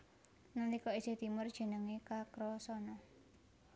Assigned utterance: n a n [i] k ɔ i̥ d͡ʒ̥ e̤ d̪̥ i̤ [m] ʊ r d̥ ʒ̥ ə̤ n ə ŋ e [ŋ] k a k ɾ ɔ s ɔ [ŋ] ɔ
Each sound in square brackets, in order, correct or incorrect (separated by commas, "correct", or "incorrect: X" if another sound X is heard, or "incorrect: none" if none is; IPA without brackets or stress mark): correct, correct, incorrect: none, incorrect: n